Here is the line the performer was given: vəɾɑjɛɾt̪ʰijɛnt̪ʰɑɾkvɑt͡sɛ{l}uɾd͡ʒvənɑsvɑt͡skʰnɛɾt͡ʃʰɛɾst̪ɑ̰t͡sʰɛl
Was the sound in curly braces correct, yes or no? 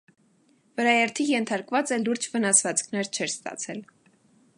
yes